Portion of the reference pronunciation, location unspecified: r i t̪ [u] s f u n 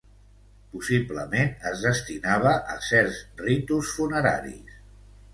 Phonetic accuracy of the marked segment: correct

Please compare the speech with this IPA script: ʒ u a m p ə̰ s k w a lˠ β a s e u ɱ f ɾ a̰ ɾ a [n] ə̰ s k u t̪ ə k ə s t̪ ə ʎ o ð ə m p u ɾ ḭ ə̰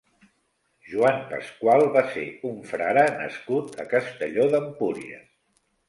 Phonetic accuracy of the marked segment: correct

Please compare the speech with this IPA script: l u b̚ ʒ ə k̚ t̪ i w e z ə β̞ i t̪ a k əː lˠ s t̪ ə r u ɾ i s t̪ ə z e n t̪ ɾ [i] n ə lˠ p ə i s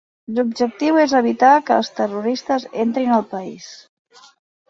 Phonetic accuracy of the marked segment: correct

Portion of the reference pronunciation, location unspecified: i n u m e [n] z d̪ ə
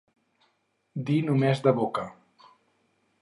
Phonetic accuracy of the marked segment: incorrect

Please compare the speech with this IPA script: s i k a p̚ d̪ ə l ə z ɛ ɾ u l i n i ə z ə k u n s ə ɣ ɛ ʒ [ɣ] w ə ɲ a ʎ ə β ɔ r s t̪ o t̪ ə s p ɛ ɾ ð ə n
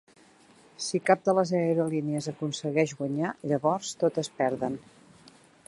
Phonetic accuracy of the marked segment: correct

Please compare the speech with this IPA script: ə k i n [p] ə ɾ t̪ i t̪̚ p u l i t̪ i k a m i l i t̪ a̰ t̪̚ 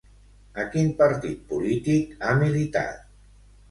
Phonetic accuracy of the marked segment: correct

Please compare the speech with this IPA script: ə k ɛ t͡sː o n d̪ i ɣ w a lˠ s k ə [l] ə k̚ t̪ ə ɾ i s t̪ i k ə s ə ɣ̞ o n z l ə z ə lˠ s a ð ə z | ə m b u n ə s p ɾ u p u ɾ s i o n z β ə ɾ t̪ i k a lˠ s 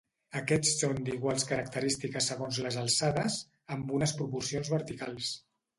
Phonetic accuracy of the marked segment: incorrect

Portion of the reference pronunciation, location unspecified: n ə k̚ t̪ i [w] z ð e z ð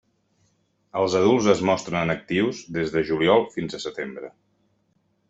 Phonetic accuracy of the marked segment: correct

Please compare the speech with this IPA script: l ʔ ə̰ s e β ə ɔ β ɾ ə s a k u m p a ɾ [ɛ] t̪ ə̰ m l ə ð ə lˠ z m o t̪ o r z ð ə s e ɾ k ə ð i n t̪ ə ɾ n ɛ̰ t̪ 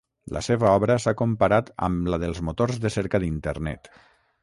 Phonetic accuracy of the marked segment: incorrect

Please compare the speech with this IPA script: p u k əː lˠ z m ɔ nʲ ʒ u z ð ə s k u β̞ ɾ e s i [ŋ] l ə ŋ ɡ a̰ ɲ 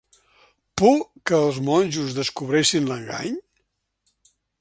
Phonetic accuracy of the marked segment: incorrect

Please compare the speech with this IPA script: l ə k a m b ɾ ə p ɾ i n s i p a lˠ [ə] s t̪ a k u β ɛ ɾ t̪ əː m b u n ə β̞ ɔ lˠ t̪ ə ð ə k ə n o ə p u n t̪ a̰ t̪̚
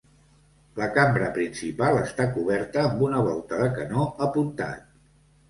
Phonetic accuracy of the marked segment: correct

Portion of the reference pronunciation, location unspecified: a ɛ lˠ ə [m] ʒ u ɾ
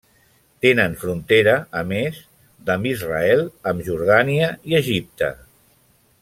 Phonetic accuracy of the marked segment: correct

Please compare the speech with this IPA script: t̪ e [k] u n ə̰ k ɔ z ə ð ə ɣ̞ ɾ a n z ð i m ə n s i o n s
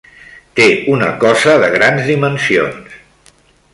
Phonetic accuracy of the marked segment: incorrect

